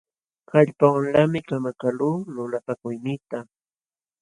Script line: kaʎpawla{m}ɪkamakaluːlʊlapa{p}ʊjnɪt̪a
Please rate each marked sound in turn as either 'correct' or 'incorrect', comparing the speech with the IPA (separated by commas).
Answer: correct, incorrect